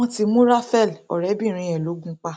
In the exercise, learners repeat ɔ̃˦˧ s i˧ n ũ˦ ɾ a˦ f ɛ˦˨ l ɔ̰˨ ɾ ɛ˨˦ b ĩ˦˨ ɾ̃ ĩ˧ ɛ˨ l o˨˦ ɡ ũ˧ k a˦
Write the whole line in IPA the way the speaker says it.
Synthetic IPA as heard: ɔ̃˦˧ t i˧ m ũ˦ ɾ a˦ f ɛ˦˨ l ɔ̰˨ ɾ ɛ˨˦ b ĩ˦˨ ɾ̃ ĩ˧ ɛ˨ l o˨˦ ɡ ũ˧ k͡p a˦